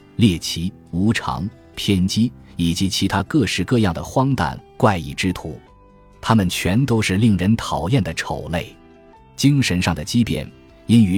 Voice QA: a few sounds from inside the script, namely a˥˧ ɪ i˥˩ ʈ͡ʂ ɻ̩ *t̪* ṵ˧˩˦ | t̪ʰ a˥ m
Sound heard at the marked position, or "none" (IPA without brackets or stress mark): t̪ʰ